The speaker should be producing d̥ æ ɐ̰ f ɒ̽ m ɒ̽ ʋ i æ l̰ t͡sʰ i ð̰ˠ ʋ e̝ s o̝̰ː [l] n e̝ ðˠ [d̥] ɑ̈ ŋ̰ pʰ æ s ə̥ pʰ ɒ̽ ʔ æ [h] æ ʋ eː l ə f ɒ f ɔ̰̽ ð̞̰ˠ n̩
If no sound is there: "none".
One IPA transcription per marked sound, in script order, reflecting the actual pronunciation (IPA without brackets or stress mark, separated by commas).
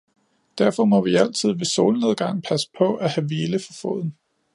l, ɡ̥, h